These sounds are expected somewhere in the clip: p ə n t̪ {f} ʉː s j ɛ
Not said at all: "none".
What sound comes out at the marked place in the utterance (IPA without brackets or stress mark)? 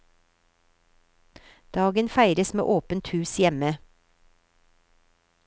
h